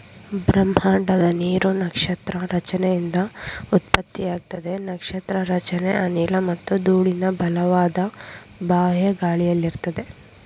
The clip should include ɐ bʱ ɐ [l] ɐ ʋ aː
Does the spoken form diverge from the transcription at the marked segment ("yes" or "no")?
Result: no